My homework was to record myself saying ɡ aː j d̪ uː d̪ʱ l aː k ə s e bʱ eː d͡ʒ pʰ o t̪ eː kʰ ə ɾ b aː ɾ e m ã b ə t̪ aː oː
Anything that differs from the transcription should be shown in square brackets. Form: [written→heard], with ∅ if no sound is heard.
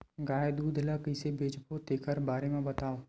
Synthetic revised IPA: ɡ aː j d̪ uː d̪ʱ l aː k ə s e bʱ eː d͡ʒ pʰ o t̪ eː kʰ ə ɾ b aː ɾ e m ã b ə t̪ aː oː